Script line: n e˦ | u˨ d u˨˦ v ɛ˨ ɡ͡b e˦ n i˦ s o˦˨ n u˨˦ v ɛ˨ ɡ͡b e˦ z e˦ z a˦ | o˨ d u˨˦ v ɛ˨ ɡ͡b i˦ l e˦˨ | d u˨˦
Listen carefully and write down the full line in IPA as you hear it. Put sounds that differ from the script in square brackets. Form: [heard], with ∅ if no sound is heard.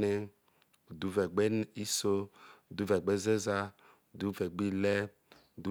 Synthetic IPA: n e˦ | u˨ d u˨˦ v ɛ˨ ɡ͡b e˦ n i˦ s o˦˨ [d] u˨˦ v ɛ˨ ɡ͡b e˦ z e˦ z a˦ | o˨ d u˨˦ v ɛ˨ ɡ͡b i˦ l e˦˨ | d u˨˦

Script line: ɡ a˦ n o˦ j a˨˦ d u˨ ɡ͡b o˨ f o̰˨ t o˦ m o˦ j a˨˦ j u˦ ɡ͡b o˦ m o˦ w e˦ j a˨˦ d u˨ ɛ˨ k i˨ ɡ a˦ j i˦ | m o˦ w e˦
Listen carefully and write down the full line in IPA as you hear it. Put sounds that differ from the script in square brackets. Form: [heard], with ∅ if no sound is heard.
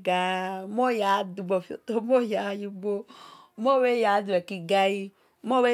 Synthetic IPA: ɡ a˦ [m] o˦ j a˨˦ d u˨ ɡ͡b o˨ f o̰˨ t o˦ m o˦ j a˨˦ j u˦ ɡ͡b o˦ m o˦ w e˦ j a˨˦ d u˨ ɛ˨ k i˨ ɡ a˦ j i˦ | m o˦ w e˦

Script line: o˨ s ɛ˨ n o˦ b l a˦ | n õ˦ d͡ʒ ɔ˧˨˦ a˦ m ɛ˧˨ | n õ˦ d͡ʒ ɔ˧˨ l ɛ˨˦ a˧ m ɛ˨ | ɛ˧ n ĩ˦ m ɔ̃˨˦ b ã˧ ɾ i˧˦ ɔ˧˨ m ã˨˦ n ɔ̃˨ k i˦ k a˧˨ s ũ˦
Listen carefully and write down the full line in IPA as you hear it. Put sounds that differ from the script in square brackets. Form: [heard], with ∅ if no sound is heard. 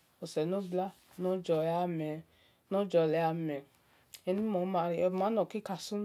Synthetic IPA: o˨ s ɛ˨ n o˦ b l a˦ | n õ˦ d͡ʒ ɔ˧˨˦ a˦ m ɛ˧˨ | n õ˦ d͡ʒ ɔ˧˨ l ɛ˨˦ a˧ m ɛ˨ | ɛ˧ n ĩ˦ m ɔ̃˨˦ [m] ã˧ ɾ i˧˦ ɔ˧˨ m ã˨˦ n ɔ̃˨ k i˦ k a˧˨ s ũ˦

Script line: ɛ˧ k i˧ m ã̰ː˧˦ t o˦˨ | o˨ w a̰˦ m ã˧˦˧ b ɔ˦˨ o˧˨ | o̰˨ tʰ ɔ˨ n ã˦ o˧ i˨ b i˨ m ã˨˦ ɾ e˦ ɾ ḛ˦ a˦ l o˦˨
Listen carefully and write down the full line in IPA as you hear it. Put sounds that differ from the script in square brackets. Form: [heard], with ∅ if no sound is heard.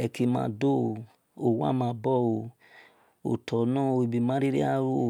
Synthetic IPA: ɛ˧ k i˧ m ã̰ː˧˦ [d] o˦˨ | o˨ w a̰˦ m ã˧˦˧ b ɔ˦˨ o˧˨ | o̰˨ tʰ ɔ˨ n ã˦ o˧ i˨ b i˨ m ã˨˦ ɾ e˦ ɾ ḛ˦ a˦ [ɾ] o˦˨

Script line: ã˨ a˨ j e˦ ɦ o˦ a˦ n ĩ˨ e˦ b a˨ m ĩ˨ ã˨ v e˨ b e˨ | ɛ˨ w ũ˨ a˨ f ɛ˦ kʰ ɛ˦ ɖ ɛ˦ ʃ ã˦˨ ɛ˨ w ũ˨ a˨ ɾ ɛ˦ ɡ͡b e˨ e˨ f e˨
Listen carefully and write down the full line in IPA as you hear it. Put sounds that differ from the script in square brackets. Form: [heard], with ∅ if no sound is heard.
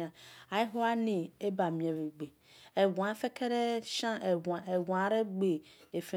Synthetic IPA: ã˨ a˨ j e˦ ɦ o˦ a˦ n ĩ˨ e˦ b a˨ m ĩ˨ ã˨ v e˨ [ɡ͡b] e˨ | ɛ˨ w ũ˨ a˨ f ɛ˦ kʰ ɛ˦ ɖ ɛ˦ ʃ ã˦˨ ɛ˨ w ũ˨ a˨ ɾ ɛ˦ ɡ͡b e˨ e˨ f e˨

